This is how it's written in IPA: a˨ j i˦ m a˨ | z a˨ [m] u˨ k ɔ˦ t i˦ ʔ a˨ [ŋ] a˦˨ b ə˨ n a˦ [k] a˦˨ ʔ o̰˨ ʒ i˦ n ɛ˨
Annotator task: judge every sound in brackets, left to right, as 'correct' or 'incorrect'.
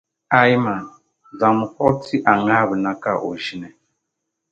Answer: correct, correct, correct

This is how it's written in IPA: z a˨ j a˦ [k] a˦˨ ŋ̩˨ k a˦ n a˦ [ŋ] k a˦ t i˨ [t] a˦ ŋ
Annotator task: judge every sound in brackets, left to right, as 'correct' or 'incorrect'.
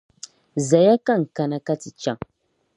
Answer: correct, incorrect, incorrect

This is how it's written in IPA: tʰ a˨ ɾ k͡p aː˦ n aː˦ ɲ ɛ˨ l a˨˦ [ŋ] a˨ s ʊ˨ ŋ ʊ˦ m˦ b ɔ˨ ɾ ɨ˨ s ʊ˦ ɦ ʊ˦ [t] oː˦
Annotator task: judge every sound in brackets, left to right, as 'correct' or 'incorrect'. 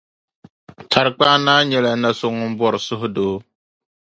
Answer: incorrect, incorrect

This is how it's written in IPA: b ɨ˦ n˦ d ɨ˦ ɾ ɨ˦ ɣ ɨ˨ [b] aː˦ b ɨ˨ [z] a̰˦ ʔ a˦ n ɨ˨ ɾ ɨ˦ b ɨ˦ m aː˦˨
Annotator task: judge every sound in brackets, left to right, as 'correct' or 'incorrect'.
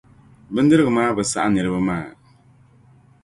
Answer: incorrect, incorrect

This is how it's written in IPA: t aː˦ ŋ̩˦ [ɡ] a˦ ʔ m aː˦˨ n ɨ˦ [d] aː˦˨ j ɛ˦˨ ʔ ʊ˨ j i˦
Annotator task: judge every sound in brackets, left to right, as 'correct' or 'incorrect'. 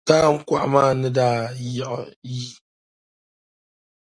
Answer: incorrect, correct

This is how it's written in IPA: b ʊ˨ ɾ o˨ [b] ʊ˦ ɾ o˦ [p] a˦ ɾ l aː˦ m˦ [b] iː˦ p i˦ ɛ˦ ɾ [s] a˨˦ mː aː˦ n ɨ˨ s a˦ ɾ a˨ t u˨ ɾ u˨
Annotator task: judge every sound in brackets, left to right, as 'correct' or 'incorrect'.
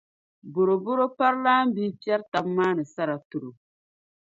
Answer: correct, correct, correct, incorrect

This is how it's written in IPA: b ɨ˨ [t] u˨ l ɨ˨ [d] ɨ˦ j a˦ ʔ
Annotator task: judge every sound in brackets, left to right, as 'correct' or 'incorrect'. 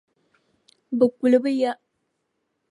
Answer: incorrect, incorrect

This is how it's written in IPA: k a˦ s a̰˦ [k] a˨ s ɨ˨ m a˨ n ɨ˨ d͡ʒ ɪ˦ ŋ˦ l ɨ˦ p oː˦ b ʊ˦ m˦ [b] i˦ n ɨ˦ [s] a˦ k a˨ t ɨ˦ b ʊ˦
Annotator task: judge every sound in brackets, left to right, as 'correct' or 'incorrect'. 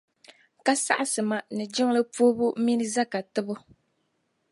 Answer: incorrect, incorrect, incorrect

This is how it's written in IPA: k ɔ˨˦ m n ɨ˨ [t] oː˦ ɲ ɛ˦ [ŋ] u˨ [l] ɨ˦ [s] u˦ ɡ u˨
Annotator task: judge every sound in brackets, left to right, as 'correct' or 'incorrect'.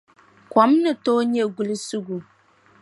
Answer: correct, incorrect, correct, correct

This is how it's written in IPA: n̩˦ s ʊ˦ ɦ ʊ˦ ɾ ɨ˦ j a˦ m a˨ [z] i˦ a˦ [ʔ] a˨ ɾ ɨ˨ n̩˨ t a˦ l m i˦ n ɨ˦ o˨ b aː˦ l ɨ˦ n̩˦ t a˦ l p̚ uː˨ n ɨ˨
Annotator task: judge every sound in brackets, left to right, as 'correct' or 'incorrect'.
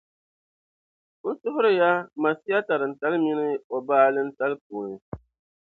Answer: incorrect, incorrect

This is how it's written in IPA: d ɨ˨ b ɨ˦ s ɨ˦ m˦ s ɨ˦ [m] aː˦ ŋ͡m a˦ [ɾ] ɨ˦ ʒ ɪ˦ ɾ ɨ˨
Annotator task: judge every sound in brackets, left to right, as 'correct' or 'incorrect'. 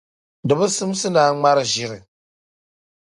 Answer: incorrect, correct

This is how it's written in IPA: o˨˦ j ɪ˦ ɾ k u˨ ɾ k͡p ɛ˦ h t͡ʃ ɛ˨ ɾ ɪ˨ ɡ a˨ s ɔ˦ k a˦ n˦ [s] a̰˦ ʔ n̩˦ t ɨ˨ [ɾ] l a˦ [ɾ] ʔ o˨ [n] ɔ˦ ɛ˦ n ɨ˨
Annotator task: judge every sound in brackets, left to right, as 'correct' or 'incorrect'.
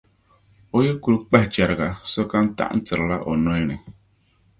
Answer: incorrect, correct, incorrect, correct

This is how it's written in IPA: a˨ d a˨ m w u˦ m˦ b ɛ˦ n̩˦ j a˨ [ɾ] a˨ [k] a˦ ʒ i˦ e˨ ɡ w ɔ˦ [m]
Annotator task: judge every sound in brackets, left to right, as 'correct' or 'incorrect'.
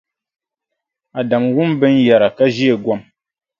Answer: correct, correct, correct

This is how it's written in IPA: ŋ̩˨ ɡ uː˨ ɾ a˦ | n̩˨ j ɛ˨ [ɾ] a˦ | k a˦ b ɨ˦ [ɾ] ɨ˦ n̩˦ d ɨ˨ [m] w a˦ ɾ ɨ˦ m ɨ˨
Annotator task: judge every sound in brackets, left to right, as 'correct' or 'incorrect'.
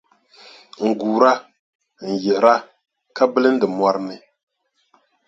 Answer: correct, incorrect, correct

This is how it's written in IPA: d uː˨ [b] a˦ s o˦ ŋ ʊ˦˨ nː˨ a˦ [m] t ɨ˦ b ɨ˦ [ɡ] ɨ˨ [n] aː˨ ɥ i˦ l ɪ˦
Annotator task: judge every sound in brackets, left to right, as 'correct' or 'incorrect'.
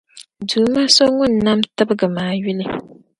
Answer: incorrect, correct, correct, incorrect

